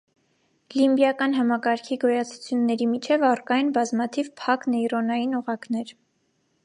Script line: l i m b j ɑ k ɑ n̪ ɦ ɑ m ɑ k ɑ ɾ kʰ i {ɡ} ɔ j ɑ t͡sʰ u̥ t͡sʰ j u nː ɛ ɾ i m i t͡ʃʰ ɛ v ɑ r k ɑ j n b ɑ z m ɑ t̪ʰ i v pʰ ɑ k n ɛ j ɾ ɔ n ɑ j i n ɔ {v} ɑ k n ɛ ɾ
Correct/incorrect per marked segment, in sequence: correct, incorrect: ʁ

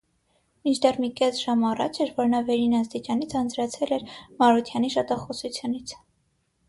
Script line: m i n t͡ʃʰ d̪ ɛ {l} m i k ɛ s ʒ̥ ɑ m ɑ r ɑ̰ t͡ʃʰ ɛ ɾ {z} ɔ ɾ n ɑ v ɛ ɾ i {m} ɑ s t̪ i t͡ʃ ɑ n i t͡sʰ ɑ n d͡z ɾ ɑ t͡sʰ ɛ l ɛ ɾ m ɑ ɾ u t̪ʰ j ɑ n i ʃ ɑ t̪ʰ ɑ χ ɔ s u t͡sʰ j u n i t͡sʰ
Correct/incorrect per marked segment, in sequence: incorrect: r, incorrect: v, incorrect: n

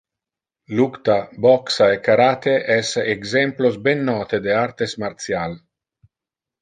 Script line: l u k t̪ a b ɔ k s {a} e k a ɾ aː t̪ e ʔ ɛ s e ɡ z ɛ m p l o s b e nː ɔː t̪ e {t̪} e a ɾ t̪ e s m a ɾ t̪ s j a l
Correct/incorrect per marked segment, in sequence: correct, incorrect: d̪

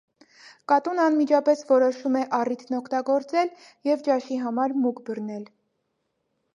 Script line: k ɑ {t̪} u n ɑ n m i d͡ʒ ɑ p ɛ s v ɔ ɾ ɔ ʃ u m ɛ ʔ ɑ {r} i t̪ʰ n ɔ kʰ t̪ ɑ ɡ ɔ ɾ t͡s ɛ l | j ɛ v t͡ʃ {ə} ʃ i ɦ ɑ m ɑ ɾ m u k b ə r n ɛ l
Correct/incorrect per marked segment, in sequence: correct, correct, incorrect: ɑ

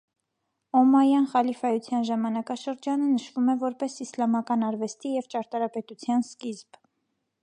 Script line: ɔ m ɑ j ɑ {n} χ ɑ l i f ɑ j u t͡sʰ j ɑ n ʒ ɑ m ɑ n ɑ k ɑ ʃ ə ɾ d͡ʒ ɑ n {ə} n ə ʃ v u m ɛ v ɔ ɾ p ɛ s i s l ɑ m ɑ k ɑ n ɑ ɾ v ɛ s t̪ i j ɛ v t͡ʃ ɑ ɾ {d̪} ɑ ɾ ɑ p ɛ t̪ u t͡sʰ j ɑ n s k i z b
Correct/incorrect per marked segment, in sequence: correct, correct, incorrect: t̪

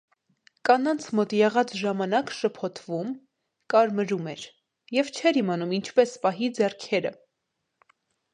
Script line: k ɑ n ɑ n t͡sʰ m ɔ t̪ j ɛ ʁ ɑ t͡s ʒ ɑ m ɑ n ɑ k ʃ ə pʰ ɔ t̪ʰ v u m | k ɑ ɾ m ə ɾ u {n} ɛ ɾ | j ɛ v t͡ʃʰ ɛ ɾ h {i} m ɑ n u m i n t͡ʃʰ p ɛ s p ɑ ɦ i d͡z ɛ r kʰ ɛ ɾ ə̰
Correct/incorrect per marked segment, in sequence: incorrect: m, correct

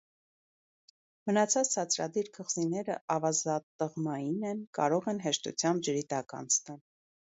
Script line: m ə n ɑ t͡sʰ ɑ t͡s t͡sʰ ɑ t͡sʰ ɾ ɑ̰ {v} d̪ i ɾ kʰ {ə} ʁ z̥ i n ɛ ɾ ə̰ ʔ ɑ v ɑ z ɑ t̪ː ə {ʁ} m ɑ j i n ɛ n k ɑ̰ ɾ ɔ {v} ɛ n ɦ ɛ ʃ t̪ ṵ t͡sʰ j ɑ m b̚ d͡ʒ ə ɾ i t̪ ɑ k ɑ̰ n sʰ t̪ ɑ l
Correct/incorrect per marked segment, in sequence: incorrect: none, correct, correct, incorrect: ʁ

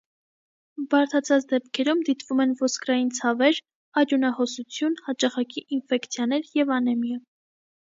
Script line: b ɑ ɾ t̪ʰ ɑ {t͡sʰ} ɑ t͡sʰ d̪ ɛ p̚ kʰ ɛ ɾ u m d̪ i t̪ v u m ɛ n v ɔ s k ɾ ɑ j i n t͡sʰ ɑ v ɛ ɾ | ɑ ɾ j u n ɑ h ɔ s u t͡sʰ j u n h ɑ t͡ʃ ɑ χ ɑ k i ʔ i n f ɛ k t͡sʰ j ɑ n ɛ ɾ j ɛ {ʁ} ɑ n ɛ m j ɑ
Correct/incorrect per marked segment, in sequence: correct, incorrect: v

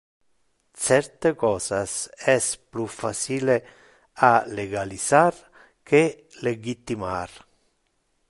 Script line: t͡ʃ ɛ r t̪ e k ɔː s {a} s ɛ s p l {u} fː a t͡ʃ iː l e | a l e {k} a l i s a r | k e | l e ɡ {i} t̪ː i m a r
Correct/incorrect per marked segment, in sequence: correct, correct, incorrect: ɡ, correct

